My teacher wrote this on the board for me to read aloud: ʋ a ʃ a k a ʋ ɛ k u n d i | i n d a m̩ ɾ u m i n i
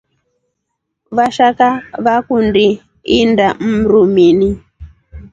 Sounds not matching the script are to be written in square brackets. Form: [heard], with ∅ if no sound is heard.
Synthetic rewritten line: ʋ a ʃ a k a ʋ [a] k u n d i | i n d a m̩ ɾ u m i n i